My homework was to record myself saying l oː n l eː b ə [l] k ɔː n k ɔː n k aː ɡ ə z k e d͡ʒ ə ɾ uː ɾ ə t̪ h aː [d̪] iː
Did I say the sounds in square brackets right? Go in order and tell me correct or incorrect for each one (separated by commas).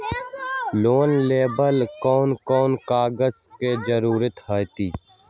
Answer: correct, incorrect